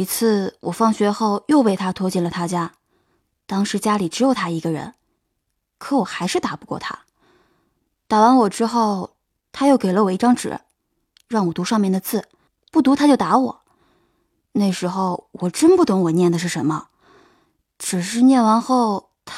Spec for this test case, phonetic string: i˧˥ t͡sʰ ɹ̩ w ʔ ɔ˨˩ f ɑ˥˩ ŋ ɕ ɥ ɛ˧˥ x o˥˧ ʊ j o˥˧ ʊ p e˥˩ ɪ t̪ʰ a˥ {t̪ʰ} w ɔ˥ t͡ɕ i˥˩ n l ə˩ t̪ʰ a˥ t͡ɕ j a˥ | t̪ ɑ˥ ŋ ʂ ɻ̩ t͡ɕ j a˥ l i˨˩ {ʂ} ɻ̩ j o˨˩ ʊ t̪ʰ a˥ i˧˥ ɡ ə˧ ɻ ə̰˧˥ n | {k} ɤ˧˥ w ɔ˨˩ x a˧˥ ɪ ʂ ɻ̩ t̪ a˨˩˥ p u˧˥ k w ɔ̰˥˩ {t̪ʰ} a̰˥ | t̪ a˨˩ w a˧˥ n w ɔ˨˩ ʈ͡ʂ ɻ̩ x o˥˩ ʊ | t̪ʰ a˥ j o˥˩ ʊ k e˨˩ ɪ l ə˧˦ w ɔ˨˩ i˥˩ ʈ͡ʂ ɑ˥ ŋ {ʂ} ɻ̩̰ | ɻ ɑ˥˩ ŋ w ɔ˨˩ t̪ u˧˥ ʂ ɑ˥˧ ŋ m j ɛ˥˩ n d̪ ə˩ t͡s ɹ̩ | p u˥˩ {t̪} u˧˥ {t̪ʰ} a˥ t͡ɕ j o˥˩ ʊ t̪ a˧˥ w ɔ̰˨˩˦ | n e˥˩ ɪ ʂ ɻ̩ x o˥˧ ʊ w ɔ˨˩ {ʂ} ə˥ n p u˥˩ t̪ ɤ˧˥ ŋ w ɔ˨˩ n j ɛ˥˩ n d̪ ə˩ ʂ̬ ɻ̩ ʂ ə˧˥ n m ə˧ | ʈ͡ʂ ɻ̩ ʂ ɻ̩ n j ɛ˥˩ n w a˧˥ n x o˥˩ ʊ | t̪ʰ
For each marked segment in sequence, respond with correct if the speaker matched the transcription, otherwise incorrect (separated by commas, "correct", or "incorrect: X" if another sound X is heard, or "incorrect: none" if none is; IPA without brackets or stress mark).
correct, incorrect: ʈ͡ʂ, incorrect: kʰ, correct, incorrect: ʈ͡ʂ, correct, correct, incorrect: ʈ͡ʂ